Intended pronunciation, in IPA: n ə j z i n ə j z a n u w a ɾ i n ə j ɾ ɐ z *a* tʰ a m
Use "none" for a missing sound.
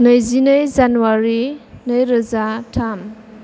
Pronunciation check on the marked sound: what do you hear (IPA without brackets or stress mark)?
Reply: a